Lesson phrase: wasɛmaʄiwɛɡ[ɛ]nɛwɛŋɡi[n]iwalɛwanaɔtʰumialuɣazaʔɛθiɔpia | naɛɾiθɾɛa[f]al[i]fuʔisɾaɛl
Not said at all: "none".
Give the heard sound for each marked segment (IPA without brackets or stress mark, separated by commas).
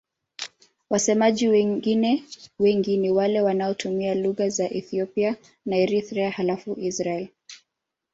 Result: i, n, h, a